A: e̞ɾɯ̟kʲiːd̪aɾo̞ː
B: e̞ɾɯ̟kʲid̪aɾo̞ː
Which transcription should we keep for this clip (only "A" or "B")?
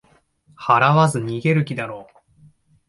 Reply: B